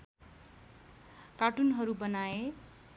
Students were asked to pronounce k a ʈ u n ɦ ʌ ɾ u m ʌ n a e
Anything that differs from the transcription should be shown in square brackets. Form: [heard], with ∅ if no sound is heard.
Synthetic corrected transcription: k a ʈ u n ɦ ʌ ɾ u [b] ʌ n a e